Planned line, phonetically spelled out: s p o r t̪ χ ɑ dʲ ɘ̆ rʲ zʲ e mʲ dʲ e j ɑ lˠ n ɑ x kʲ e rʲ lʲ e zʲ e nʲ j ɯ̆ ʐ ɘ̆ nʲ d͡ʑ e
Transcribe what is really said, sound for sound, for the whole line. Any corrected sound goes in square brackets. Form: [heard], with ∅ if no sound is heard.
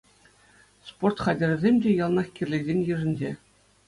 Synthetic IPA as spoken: s p o r t̪ χ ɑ dʲ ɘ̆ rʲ zʲ e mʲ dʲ e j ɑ lˠ n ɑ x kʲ [i] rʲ lʲ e zʲ e nʲ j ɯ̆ ʐ ɘ̆ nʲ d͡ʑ e